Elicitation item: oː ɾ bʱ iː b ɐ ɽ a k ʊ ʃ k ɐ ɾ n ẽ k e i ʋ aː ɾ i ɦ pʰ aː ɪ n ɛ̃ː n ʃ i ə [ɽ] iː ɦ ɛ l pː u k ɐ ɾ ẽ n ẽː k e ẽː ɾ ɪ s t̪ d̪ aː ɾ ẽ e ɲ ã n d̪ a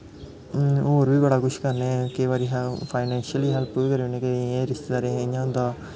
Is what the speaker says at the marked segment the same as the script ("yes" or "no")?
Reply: no